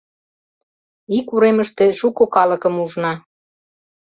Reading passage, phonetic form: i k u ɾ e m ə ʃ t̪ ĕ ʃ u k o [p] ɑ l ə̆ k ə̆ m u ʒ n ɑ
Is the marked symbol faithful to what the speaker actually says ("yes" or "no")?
no